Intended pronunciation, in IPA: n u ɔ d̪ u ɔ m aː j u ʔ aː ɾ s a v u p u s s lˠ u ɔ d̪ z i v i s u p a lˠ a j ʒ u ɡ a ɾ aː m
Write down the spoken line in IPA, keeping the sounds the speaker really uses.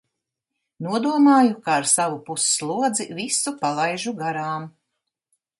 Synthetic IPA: n u ɔ d̪ u ɔ m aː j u k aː ɾ s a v u p u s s lˠ u ɔ d̪ z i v i s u p a lˠ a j ʒ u ɡ a ɾ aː m

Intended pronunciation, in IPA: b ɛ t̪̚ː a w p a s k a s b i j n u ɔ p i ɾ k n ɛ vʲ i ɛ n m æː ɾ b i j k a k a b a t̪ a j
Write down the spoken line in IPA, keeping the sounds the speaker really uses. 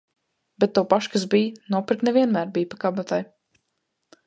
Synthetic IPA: b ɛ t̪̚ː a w p a ʃ k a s b i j n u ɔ p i ɾ k n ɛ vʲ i ɛ n m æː ɾ b i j p a k a b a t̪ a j

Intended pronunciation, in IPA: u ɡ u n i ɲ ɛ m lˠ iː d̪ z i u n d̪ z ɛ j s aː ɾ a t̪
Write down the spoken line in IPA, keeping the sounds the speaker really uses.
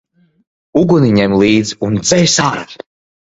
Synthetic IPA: u ɡ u n i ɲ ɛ m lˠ iː d̪ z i u n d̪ z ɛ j s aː ɾ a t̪

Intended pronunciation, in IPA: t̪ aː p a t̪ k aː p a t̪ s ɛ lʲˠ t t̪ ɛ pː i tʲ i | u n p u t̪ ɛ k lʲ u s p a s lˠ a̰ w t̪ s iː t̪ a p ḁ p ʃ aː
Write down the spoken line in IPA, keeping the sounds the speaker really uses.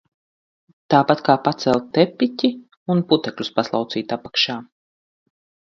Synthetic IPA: t̪ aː p a t̪ k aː p a t̪ s ɛ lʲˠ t t̪ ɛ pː i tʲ i | u n p u t̪ ɛ k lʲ u s p a s lˠ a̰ w t̪ s iː t̪ a p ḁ k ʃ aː

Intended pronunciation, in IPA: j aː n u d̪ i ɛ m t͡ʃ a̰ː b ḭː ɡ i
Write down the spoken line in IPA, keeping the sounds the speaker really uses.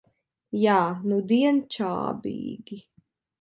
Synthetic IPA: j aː n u d̪ i ɛ n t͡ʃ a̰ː b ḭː ɡ i

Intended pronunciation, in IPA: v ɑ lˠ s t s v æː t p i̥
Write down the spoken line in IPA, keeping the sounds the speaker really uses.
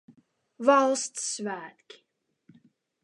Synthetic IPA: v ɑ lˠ s t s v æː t k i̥

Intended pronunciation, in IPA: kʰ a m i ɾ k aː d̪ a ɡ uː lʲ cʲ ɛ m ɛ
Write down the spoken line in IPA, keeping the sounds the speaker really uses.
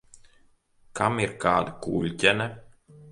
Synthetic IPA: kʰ a m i ɾ k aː d̪ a k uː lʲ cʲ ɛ n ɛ

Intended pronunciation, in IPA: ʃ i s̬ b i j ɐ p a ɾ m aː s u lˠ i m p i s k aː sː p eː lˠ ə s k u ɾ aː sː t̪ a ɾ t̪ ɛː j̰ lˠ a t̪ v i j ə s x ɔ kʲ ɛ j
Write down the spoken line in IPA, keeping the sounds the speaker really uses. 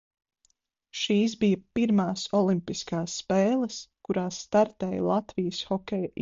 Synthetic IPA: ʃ iː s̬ b i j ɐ p i ɾ m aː s ɔ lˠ i m p i s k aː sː p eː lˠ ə s k u ɾ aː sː t̪ a ɾ t̪ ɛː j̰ lˠ a t̪ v i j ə s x ɔ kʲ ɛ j

